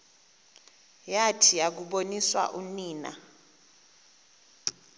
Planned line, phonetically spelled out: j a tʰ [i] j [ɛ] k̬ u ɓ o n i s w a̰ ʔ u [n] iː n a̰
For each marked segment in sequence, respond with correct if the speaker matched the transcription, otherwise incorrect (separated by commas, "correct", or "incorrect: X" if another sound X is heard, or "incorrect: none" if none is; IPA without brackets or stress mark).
correct, incorrect: a, correct